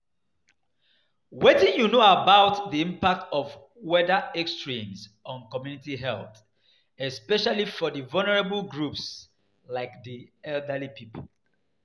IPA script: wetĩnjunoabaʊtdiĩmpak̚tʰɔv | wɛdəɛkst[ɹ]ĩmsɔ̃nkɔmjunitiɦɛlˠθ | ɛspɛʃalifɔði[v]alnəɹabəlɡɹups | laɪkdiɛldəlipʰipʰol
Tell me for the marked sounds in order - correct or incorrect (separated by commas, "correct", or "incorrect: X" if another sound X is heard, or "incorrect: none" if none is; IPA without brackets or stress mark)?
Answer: correct, correct